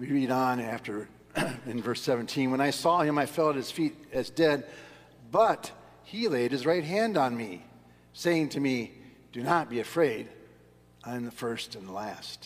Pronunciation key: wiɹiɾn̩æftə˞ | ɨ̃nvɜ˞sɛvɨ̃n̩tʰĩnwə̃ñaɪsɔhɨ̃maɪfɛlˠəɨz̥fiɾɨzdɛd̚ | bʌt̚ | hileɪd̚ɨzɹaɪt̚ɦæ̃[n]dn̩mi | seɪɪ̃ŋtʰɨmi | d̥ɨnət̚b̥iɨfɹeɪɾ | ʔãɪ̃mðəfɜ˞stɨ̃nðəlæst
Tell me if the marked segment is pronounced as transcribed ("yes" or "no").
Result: yes